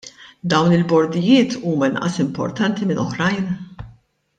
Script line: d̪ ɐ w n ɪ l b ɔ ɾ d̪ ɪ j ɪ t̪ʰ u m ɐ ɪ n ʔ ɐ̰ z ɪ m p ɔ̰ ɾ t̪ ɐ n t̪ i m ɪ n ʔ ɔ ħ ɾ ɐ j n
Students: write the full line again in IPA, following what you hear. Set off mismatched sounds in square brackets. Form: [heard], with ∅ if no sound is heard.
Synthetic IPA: d̪ ɐ w n ɪ l b ɔ ɾ d̪ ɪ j [ɪː] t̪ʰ [uː] m ɐ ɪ n ʔ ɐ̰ [s] ɪ m p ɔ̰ ɾ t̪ ɐ n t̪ i m ɪ n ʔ ɔ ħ ɾ ɐ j n